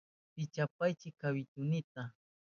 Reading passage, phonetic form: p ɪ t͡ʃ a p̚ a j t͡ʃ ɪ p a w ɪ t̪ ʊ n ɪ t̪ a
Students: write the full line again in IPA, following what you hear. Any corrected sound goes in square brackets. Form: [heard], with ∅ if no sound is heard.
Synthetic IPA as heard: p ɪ t͡ʃ a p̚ a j t͡ʃ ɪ [k] a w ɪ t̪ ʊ n ɪ t̪ a